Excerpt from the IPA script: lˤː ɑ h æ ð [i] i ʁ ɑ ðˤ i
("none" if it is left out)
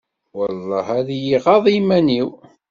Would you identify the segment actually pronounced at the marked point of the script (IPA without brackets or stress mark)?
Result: j